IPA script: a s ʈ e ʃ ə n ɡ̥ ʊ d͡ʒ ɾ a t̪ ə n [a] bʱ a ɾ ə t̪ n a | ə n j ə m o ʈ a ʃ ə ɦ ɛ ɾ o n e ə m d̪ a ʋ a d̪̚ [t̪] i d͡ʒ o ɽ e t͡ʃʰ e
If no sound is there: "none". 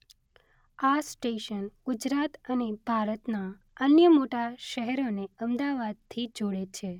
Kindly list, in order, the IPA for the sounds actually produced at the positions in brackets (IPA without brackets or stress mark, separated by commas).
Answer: e, t̪ʰ